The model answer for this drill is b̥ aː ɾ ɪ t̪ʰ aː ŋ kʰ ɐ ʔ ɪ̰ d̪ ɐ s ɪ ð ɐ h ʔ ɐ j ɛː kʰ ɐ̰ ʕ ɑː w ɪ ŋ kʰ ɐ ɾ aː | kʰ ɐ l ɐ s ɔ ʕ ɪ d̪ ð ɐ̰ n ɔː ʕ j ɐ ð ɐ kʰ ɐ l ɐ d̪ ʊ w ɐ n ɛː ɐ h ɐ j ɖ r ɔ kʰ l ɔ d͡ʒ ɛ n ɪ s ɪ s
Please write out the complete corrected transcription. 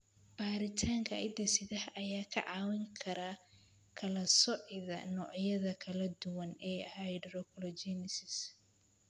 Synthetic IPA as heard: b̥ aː ɾ ɪ t̪ʰ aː ŋ kʰ ɐ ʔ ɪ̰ d̪ ɐ s ɪ ð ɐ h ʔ ɐ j aː kʰ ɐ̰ ʕ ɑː w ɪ ŋ kʰ ɐ ɾ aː | kʰ ɐ l ɐ s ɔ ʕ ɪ ð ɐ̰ n ɔː ʕ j ɐ ð ɐ kʰ ɐ l ɐ d̪ ʊ w ɐ n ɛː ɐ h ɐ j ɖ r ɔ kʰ l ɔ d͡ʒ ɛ n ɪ s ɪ s